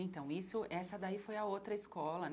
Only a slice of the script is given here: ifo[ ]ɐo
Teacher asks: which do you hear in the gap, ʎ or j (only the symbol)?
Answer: j